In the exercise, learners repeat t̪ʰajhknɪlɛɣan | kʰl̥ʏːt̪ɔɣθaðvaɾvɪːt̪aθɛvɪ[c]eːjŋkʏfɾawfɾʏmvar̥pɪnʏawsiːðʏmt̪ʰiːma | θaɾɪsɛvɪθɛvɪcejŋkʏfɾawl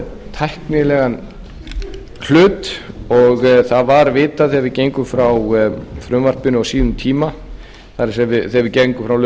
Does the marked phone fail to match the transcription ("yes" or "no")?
no